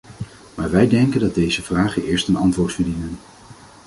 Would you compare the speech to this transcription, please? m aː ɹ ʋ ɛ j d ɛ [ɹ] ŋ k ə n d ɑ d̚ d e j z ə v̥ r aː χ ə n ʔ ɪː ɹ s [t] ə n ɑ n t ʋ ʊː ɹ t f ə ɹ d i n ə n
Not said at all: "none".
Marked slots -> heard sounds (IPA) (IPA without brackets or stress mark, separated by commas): none, t